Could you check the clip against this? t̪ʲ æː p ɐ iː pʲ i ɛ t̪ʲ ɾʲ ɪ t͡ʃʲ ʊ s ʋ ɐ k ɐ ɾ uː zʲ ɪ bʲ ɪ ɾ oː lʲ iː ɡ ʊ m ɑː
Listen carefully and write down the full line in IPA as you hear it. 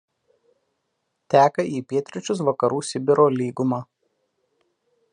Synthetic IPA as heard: t̪ʲ æː k ɐ iː pʲ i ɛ t̪ʲ ɾʲ ɪ t͡ʃʲ ʊ s ʋ ɐ k ɐ ɾ uː sʲ ɪ bʲ ɪ ɾ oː lʲ iː ɡ ʊ m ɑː

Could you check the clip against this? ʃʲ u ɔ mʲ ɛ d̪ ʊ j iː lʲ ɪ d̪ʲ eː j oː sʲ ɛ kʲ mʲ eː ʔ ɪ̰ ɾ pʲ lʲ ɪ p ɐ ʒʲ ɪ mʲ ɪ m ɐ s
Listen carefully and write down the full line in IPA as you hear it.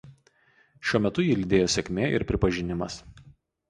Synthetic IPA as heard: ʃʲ u ɔ mʲ ɛ t̪ ʊ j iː lʲ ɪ d̪ʲ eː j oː sʲ ɛ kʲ mʲ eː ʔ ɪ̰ ɾ pʲ ɾʲ ɪ p ɐ ʒʲ ɪ nʲ ɪ m ɐ s

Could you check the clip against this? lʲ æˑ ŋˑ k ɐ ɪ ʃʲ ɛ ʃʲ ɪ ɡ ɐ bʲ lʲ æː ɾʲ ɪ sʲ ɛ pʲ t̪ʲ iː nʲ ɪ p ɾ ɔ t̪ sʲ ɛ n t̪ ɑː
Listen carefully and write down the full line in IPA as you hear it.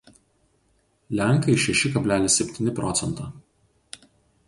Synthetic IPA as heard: lʲ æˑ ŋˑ k ɐ ɪ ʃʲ ɛ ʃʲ ɪ k ɐ bʲ lʲ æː lʲ ɪ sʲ ɛ pʲ t̪ʲ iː nʲ ɪ p ɾ ɔ t̪ sʲ ɛ n t̪ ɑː

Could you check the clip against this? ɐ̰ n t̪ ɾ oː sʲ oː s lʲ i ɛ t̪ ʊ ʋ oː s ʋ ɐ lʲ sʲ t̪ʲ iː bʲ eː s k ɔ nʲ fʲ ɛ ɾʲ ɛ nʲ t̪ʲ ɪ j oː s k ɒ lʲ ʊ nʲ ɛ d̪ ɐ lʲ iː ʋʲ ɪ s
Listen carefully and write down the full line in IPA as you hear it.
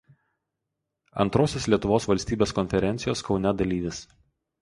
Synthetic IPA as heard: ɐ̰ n t̪ ɾ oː sʲ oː s lʲ i ɛ t̪ ʊ ʋ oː s ʋ ɐ lʲ sʲ t̪ʲ iː bʲ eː s k ɔ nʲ fʲ ɛ ɾʲ ɛ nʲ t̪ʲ ɪ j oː s k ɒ ʊ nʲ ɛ d̪ ɐ lʲ iː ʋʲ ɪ s

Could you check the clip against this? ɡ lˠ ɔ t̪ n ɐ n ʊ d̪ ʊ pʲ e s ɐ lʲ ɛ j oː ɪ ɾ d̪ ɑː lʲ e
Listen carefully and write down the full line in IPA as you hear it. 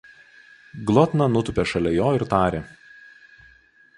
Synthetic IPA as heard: ɡ lˠ ɔ t̪ n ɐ n ʊ t̪ ʊ pʲ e ʃ ɐ lʲ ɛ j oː ɪ ɾ t̪ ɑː ɾʲ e

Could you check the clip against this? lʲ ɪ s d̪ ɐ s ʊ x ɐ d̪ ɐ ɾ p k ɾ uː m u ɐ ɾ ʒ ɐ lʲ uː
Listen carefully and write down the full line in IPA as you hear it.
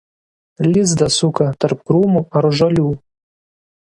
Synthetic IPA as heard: lʲ ɪ z d̪ ɐ s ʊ k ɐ t̪ ɐ ɾ p k ɾ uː m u ɐ ɾ ʒ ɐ lʲ uː

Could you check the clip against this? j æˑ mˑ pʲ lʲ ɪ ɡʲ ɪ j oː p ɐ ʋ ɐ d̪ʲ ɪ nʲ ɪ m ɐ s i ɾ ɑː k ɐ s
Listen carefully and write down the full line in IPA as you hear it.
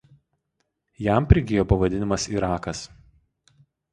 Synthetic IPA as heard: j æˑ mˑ pʲ ɾʲ ɪ ɡʲ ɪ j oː p ɐ ʋ ɐ d̪ʲ ɪ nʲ ɪ m ɐ s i ɾ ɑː k ɐ s

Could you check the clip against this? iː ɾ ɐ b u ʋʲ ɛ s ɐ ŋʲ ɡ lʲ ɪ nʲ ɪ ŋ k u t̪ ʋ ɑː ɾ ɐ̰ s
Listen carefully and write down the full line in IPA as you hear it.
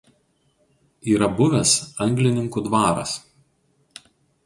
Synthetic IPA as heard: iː ɾ ɐ b ʊ ʋʲ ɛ s ɐ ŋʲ ɡ lʲ ɪ nʲ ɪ ŋ k u d̪ ʋ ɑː ɾ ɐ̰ s

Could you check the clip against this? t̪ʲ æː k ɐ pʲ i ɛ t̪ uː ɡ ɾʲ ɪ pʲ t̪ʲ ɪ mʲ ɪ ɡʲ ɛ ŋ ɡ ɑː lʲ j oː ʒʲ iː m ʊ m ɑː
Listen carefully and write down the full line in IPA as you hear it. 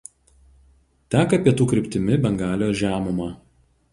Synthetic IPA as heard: t̪ʲ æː k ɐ pʲ i ɛ t̪ uː k ɾʲ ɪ pʲ t̪ʲ ɪ mʲ ɪ bʲ ɛ ŋ ɡ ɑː lʲ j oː ʒʲ æː m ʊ m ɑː

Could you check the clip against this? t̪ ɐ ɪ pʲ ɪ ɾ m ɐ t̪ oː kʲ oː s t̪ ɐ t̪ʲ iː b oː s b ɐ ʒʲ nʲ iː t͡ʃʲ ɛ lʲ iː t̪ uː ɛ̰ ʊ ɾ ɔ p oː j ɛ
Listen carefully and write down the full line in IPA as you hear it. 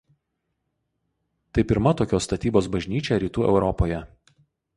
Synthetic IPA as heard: t̪ ɐ ɪ pʲ ɪ ɾ m ɐ t̪ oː kʲ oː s t̪ ɐ t̪ʲ iː b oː s b ɐ ʒʲ nʲ iː t͡ʃʲ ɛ ɾʲ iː t̪ uː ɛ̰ ʊ ɾ ɔ p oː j ɛ

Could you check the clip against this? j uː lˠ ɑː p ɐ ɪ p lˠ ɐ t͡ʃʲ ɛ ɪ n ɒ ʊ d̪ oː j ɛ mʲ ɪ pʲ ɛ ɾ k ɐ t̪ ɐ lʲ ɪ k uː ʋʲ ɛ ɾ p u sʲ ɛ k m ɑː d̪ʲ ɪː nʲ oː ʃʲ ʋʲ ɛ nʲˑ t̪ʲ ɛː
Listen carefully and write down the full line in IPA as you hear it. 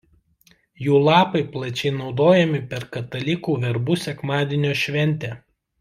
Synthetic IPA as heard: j uː lˠ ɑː p ɐ ɪ p lˠ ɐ t͡ʃʲ ɛ ɪ n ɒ ʊ d̪ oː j ɛ mʲ ɪ pʲ ɛ ɾ k ɐ t̪ ɐ lʲ ɪ k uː ʋʲ ɛ ɾ b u sʲ ɛ k m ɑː d̪ʲ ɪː nʲ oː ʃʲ ʋʲ ɛ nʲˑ t̪ʲ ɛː

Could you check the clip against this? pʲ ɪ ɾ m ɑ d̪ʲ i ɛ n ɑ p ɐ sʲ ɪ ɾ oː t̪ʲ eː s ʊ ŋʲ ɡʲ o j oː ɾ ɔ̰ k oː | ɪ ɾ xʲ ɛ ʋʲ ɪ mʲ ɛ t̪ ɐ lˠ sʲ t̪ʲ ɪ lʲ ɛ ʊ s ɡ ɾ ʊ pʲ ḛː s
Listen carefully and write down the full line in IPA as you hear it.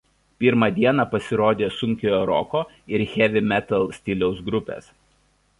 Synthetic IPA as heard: pʲ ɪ ɾ m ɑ d̪ʲ i ɛ n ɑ p ɐ sʲ ɪ ɾ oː d̪ʲ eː s ʊ ŋʲ kʲ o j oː ɾ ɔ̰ k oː | ɪ ɾ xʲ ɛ ʋʲ ɪ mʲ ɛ t̪ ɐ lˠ sʲ t̪ʲ ɪ lʲ ɛ ʊ s ɡ ɾ ʊ pʲ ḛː s

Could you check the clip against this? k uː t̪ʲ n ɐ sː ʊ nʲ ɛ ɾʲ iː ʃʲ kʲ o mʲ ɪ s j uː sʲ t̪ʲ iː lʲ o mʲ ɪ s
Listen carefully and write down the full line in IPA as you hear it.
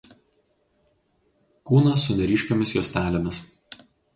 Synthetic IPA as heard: k uː n ɐ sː ʊ nʲ ɛ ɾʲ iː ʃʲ kʲ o mʲ ɪ s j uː sʲ t̪ʲ æː lʲ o mʲ ɪ s

